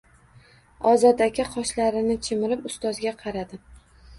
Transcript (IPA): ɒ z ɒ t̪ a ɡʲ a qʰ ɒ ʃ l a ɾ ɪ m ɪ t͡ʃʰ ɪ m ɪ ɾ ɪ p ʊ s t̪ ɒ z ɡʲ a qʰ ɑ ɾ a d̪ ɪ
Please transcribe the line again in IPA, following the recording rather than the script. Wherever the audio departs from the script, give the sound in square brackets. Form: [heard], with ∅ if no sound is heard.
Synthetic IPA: ɒ z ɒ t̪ a [kʲ] a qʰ ɒ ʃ l a ɾ ɪ [n] ɪ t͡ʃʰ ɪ m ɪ ɾ ɪ p ʊ s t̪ ɒ z ɡʲ a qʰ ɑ ɾ a d̪ ɪ